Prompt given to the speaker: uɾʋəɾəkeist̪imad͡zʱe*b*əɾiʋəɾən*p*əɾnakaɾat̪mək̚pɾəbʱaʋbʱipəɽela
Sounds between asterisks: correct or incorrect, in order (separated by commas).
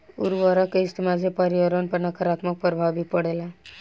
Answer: incorrect, correct